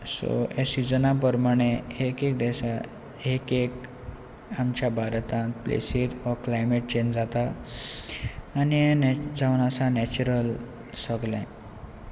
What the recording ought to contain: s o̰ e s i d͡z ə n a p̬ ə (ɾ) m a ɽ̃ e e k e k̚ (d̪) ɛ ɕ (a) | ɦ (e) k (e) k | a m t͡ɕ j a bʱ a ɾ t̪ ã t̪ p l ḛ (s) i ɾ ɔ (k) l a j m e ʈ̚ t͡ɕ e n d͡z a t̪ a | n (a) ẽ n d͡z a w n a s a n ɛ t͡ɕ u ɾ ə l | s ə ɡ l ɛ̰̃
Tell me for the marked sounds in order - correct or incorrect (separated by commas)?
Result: correct, correct, correct, correct, correct, correct, correct, incorrect